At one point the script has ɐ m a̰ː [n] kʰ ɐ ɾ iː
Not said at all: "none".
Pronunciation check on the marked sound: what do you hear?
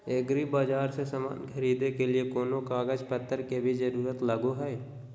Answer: n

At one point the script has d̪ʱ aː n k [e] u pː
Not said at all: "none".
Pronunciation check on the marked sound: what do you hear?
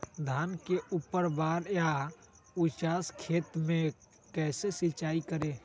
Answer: e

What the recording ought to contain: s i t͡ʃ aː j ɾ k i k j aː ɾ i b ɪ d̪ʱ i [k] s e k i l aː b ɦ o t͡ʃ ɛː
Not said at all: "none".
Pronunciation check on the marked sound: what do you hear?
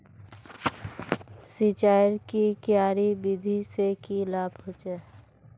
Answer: none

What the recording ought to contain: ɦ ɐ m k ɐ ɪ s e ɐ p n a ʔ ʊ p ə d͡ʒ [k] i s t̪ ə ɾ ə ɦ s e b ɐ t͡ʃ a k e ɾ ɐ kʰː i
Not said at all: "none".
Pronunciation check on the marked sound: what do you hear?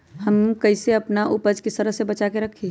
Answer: k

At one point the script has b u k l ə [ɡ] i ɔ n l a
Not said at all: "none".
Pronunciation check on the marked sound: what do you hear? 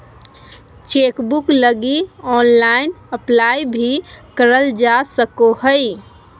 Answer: ɡ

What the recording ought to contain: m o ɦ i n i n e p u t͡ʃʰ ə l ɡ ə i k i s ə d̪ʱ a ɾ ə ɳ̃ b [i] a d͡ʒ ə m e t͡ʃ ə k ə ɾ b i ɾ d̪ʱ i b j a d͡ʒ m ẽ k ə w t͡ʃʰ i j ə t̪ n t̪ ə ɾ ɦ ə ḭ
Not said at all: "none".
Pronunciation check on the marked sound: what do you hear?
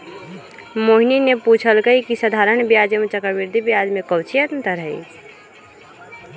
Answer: j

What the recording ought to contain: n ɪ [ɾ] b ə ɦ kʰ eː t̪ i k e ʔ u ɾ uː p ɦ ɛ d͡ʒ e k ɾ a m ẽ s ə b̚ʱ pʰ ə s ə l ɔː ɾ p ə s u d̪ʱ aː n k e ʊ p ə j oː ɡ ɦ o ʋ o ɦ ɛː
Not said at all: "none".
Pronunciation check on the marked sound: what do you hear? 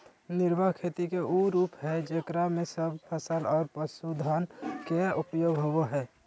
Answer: ɾ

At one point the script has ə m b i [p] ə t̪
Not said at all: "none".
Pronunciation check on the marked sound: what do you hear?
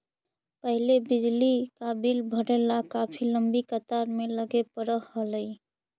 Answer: k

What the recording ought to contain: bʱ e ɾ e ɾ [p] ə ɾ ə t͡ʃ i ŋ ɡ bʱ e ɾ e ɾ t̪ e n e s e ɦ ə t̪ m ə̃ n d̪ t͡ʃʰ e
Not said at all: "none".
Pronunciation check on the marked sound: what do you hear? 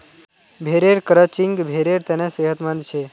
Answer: k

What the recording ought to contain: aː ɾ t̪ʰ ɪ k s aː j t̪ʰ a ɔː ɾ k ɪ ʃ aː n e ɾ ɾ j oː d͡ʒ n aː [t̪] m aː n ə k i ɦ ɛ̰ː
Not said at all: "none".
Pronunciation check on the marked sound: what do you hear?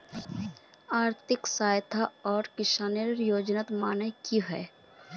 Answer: t̪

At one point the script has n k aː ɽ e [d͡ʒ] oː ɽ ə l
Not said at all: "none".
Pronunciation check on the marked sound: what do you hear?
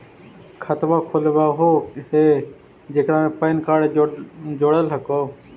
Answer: d͡ʒ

